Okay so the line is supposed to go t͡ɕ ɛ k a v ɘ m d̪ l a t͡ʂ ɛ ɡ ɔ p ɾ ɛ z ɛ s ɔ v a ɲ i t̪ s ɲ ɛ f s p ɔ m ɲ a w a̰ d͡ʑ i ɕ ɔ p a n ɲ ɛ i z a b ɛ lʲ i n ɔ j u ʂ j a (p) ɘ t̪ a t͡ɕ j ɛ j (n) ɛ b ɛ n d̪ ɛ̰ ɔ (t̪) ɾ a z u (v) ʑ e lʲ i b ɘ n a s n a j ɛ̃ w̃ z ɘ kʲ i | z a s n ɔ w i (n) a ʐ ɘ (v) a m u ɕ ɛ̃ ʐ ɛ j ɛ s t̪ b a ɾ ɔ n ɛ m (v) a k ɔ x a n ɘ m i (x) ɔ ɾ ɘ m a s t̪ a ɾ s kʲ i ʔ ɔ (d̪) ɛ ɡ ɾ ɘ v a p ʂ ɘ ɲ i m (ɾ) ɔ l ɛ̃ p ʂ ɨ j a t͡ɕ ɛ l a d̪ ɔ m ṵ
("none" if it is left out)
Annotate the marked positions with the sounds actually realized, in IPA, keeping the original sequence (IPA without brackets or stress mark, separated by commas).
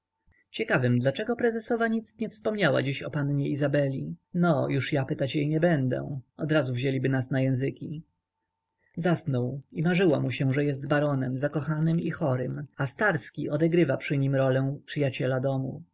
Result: p, ɲ, d̪, v, m, w, z, x, d̪, ɾ